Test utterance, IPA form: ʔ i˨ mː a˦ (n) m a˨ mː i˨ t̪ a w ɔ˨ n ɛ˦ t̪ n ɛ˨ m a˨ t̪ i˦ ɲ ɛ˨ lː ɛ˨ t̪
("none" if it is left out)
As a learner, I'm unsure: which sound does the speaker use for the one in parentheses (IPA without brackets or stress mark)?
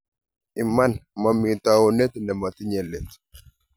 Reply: n